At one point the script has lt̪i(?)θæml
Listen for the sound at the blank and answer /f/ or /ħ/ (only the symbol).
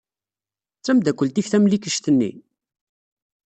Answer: f